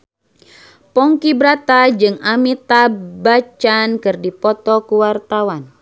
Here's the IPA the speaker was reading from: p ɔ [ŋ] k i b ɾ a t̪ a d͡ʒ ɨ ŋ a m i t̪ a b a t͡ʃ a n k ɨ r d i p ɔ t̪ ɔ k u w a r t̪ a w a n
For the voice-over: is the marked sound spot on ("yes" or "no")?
yes